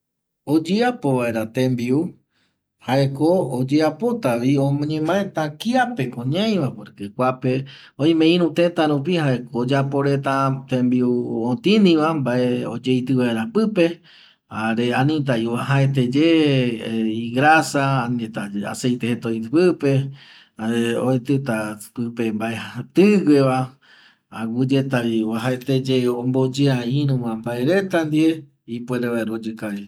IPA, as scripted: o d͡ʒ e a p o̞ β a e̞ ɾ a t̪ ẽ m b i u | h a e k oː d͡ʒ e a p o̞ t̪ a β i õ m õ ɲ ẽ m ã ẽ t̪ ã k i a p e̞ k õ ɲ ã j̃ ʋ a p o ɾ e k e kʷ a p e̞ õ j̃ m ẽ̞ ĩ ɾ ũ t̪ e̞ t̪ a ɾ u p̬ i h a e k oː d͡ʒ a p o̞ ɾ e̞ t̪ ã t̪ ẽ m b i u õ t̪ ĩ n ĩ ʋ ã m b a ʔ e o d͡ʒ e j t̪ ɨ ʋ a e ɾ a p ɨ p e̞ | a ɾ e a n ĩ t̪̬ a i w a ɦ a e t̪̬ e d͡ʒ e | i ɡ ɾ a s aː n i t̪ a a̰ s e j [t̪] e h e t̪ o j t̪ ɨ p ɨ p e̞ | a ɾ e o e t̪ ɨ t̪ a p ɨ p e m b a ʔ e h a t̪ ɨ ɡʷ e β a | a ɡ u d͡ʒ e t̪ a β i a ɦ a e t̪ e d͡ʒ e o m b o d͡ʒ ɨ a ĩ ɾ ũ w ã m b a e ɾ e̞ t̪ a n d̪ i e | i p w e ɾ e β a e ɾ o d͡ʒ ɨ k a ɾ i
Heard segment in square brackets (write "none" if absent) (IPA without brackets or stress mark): t̪